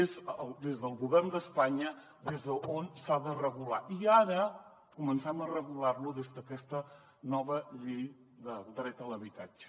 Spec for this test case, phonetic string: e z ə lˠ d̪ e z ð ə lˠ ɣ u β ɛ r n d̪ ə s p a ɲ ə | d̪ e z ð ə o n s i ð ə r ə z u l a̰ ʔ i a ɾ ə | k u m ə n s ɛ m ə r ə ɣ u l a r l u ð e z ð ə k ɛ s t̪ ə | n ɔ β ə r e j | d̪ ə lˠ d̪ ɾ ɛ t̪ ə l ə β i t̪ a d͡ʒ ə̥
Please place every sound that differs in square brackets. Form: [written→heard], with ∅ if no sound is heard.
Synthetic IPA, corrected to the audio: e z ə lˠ d̪ e z ð ə lˠ ɣ u β ɛ r n d̪ ə s p a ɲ ə | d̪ e z ð ə o n s [i→a] ð ə r ə [z→ɣ] u l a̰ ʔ i a ɾ ə | k u m ə n s ɛ m ə r ə ɣ u l a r l u ð e z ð ə k ɛ s t̪ ə | n ɔ β ə [r→ʎ] e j | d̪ ə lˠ d̪ ɾ ɛ t̪ ə l ə β i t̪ a d͡ʒ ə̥